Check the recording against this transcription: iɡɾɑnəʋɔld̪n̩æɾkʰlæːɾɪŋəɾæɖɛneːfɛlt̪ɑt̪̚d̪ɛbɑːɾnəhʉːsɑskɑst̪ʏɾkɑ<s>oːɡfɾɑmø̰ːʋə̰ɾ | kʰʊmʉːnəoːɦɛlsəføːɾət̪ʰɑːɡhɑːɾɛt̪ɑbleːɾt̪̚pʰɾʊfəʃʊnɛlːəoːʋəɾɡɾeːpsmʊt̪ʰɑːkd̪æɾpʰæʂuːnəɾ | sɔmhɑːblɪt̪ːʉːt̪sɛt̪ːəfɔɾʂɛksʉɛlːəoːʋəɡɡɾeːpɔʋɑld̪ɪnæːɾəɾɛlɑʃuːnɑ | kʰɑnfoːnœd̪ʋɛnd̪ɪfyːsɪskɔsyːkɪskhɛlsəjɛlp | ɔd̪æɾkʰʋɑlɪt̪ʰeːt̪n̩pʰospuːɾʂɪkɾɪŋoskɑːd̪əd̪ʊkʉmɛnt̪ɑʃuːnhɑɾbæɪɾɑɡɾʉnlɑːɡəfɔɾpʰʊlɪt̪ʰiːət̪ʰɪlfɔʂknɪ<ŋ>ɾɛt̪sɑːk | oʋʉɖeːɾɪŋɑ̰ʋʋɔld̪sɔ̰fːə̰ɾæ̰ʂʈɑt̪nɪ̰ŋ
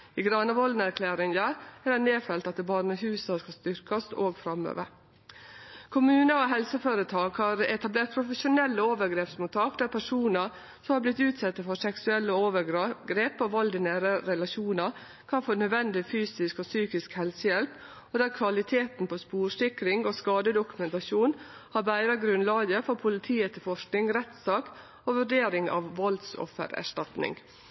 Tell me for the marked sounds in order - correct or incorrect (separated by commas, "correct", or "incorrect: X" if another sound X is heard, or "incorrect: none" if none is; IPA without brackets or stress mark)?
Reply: correct, correct